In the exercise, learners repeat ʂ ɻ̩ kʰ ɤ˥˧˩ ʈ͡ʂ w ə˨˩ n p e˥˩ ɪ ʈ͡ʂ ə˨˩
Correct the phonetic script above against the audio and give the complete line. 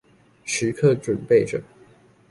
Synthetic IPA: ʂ ɻ̩ kʰ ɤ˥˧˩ ʈ͡ʂ w ə˨˩ n p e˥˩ ɪ ʈ͡ʂ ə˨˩